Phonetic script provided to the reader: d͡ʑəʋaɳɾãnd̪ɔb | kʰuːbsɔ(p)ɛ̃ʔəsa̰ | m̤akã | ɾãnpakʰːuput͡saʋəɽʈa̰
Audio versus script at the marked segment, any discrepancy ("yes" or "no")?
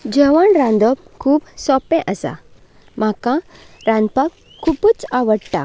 no